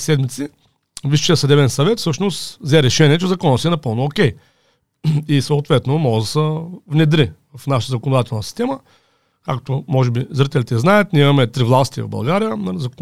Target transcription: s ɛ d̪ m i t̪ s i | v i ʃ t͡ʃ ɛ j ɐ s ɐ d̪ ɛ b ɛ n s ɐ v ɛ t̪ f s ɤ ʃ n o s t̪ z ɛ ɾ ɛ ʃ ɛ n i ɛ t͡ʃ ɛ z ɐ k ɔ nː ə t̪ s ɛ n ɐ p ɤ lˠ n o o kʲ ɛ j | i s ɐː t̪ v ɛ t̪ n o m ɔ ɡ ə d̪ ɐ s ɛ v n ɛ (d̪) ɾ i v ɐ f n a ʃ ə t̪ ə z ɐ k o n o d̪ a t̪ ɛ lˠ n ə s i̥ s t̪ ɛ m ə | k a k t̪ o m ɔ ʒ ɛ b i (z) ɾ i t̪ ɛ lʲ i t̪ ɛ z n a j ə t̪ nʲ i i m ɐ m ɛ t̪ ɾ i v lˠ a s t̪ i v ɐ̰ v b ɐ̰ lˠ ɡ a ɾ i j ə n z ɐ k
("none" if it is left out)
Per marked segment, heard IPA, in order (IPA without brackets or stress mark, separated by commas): d̪, z